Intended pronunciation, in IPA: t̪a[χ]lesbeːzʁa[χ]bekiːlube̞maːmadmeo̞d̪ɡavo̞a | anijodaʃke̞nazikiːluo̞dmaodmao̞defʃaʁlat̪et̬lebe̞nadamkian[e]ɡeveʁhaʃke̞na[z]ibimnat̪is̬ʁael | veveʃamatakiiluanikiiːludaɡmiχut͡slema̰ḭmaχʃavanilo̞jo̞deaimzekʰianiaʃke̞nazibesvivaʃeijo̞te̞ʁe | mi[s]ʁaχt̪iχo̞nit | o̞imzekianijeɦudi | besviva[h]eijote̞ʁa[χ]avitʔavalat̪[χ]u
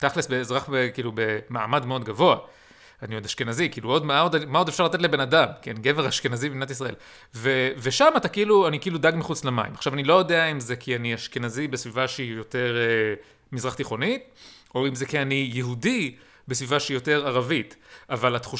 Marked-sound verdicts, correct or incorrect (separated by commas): correct, correct, incorrect, correct, incorrect, incorrect, incorrect, correct